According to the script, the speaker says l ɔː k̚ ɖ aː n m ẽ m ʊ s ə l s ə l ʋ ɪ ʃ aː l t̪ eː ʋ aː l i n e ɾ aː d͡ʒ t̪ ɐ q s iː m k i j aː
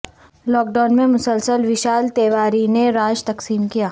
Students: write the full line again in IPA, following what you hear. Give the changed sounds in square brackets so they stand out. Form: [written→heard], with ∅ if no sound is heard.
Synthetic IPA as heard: l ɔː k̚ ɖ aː n m ẽ m ʊ s ə l s ə l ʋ ɪ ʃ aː l t̪ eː ʋ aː [l→ɾ] i n e ɾ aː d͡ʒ t̪ ɐ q s iː m k i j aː